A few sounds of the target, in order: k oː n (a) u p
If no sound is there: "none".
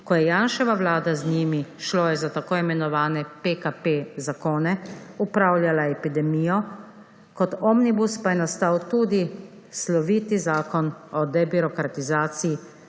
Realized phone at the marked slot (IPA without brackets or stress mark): ɛ